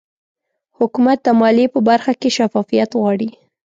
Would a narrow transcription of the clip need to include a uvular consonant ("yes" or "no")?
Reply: no